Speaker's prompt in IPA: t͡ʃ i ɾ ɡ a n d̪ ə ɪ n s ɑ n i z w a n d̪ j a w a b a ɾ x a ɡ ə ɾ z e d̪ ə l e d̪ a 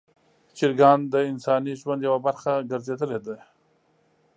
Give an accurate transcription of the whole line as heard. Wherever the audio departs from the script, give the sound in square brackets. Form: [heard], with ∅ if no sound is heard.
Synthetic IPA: t͡ʃ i ɾ ɡ [ɑ] n d̪ ə ɪ n s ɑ n i [ʒ] w a n d̪ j a w a b a ɾ x a ɡ ə ɾ z e d̪ ə l e d̪ a

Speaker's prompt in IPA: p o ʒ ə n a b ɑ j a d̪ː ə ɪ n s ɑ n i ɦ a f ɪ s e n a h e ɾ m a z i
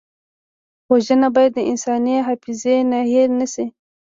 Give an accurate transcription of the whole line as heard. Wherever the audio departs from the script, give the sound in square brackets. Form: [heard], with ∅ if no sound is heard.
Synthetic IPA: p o ʒ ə n a b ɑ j a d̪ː ə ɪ n s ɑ n i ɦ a f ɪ [z] e n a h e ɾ [n] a [s] i

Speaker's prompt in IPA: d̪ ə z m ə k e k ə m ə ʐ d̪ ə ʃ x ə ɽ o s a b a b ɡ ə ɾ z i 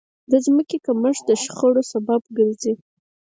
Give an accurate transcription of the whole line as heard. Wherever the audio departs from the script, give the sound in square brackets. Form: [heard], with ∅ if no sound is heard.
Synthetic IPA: d̪ ə z m ə k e k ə m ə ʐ d̪ ə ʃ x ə ɽ o s a b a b ɡ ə ɾ z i

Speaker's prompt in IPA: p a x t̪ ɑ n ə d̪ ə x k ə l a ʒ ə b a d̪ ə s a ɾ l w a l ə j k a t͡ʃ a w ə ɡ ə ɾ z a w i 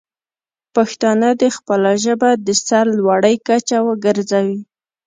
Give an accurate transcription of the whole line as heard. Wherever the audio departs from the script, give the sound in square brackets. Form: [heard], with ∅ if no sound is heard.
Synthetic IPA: p a x t̪ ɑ n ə d̪ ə x [p] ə l a ʒ ə b a d̪ ə s a ɾ l w a [ɽ] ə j k a t͡ʃ a w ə ɡ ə ɾ z a w i

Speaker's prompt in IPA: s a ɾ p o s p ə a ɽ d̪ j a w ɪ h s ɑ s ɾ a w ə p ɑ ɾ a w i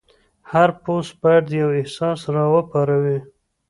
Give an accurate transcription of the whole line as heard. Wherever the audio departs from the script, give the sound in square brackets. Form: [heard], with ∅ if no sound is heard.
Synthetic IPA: [h] a ɾ p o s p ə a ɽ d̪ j a w ɪ h s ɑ s ɾ [ɑ] w ə p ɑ ɾ a w i

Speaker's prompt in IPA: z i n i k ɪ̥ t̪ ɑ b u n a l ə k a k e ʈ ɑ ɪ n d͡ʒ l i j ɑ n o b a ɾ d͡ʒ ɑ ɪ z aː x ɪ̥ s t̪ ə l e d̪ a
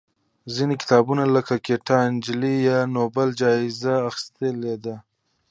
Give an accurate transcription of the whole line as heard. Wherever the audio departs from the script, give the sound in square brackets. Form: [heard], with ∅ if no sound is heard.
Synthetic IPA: z i n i k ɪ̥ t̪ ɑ b u n a l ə k a k e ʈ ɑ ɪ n d͡ʒ l i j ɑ n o b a [l] d͡ʒ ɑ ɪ z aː x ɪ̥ s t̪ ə l e d̪ a

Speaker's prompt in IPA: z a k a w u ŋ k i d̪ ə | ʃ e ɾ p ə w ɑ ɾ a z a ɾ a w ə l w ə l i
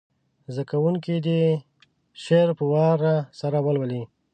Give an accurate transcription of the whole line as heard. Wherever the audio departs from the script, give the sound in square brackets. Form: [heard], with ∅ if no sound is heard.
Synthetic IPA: z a k a w u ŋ k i d̪ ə | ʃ e ɾ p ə w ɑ ɾ a [s] a ɾ a w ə l w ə l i

